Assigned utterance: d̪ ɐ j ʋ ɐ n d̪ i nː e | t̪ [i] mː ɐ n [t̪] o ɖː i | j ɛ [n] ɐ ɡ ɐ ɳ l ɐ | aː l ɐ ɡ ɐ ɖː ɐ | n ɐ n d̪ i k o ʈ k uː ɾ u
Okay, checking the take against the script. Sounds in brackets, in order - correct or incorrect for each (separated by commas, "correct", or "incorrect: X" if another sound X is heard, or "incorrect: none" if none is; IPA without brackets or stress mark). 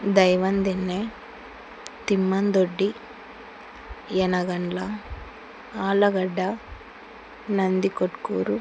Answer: correct, incorrect: d̪, correct